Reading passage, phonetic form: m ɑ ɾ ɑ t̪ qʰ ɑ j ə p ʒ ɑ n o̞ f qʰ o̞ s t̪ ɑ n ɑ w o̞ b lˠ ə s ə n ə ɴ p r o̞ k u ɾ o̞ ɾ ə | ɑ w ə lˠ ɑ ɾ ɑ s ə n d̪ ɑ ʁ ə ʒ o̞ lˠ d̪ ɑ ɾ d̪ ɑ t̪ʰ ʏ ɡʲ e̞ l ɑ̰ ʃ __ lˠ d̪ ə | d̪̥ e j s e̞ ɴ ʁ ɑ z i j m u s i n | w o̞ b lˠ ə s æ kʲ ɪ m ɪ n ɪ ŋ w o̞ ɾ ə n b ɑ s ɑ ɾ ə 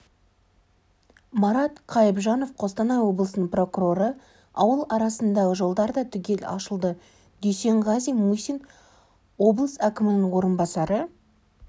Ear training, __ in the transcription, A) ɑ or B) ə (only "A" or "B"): B